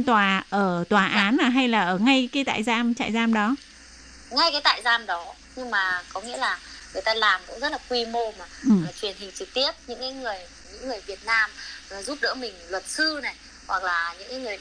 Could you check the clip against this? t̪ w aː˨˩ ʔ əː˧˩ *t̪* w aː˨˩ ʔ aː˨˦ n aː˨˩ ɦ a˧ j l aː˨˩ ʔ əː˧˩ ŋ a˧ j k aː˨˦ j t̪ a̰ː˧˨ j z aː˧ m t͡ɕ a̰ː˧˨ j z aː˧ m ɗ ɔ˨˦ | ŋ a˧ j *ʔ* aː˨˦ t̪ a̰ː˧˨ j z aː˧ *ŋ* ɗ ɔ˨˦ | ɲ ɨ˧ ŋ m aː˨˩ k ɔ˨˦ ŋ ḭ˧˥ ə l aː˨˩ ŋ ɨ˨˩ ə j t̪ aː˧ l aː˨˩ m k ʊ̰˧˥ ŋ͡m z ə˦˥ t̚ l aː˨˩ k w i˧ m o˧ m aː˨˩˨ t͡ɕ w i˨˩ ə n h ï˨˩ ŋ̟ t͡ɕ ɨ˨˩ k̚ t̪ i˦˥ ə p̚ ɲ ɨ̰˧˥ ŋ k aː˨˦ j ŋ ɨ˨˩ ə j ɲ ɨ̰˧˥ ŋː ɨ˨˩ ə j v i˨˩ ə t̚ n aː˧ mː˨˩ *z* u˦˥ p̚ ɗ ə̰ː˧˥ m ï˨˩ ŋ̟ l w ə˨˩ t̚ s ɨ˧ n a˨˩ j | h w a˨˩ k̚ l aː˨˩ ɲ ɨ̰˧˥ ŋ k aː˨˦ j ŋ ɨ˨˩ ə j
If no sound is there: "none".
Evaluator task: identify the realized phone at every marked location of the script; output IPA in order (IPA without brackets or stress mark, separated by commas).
t̪, k, m, z